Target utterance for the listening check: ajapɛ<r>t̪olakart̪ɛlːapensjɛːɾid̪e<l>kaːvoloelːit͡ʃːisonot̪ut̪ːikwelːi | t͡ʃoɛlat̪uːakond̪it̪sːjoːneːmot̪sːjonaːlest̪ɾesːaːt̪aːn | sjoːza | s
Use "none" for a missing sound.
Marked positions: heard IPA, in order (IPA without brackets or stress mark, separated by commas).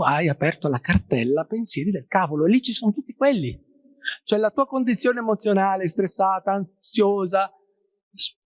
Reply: r, l